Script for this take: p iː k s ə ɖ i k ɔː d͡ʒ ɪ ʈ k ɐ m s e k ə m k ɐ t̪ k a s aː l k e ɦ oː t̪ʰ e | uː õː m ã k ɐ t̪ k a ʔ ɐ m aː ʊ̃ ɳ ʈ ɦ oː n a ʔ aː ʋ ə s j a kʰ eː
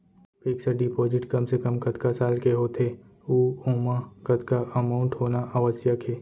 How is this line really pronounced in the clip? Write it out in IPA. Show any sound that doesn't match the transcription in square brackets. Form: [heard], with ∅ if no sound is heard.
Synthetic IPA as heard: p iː k s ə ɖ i [p] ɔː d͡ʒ ɪ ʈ k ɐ m s e k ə m k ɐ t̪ k a s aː l k e ɦ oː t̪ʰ e | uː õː m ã k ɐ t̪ k a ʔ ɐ m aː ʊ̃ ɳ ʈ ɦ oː n a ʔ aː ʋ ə s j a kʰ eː